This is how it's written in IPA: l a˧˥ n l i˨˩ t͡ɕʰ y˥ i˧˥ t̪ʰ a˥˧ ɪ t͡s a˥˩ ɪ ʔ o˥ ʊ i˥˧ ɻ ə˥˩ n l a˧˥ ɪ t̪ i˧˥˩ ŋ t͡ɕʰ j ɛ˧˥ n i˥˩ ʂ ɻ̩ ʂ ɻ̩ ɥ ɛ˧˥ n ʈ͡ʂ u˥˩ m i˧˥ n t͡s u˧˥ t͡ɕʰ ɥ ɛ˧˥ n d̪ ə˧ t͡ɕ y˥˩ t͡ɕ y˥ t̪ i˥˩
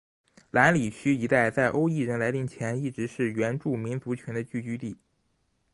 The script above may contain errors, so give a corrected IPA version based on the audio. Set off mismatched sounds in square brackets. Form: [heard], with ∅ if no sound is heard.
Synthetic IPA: l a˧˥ n l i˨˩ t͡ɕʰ y˥ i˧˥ [t̪] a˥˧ ɪ t͡s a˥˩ ɪ ʔ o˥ ʊ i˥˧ ɻ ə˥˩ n l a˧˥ ɪ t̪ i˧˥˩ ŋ t͡ɕʰ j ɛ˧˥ n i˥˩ [ʈ͡ʂ] ɻ̩ ʂ ɻ̩ ɥ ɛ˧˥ n ʈ͡ʂ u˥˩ m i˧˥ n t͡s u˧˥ t͡ɕʰ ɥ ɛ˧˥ n d̪ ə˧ t͡ɕ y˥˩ t͡ɕ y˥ t̪ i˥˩